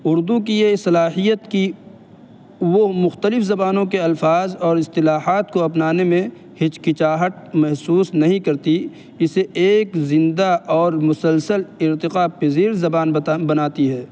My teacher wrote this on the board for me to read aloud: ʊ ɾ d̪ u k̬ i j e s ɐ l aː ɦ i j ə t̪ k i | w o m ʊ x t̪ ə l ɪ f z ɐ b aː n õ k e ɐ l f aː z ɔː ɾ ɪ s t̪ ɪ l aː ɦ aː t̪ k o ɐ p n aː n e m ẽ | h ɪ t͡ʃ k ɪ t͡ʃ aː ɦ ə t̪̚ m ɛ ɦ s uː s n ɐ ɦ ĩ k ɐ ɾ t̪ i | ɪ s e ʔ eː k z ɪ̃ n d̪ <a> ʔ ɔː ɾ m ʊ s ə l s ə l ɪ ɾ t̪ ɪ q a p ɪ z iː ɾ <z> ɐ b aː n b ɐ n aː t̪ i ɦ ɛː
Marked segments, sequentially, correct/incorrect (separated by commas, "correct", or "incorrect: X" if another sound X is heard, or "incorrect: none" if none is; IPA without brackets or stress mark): correct, correct